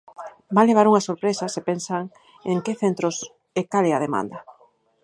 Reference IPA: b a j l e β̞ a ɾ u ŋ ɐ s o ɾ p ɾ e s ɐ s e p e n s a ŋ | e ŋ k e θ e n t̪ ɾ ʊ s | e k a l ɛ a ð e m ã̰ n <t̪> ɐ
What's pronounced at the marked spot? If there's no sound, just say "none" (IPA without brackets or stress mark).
d̪